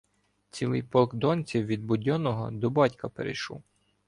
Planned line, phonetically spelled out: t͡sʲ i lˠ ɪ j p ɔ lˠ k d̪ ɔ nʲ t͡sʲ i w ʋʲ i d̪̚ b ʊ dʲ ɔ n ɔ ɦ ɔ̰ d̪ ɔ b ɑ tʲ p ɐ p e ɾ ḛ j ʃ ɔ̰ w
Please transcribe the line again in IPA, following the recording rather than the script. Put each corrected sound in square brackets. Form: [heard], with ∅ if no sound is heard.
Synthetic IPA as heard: t͡sʲ i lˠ ɪ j p ɔ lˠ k d̪ ɔ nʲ t͡sʲ i w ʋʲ i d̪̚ b ʊ dʲ ɔ n ɔ ɦ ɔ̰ d̪ ɔ b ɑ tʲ [k] ɐ p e ɾ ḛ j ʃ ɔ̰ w